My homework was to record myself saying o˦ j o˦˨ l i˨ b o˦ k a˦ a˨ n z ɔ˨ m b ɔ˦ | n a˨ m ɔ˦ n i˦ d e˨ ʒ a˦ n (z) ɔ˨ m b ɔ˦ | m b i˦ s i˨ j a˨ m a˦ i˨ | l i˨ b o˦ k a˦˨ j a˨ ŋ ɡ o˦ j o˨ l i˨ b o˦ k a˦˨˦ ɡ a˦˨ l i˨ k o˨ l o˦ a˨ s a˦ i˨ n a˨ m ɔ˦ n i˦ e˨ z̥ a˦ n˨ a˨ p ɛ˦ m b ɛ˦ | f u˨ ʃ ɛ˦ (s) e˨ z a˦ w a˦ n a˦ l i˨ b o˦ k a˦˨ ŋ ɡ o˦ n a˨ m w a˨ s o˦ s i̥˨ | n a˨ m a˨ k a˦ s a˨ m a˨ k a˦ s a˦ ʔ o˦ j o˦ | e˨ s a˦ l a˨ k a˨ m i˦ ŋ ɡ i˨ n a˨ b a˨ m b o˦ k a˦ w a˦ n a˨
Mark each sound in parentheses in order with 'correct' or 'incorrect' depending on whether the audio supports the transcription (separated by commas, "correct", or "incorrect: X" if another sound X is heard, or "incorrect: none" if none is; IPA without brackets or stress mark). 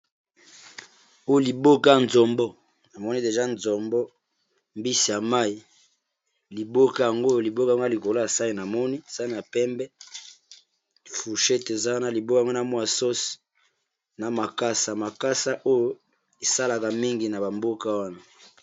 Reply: correct, incorrect: t